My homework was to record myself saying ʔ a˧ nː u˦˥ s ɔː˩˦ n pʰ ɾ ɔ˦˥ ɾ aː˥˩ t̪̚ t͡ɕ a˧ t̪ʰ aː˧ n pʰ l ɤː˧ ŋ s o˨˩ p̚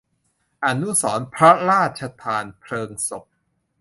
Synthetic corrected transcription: ʔ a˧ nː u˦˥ s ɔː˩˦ n pʰ ɾ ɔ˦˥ ɾ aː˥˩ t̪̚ t͡ɕʰ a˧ t̪ʰ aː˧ n pʰ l ɤː˧ ŋ s o˨˩ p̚